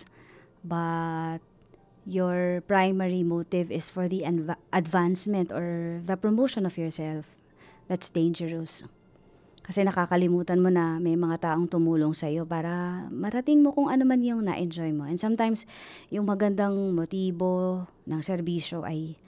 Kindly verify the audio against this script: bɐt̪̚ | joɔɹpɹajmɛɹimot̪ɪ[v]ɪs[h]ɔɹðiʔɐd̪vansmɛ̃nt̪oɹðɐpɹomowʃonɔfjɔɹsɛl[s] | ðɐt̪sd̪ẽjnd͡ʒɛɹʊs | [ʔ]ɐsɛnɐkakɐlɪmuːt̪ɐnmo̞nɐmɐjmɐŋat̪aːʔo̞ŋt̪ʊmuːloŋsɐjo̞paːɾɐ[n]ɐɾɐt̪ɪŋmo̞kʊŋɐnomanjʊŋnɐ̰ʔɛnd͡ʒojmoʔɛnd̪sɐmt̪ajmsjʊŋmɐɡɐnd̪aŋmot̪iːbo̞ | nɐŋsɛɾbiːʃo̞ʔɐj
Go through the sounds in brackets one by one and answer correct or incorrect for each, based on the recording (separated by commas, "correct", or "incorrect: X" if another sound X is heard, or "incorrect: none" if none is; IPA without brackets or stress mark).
correct, incorrect: f, incorrect: f, incorrect: k, incorrect: m